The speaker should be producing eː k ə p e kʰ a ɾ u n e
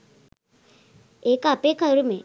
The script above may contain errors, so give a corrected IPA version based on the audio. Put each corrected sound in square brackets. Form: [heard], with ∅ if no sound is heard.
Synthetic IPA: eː k [a] p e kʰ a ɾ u [m] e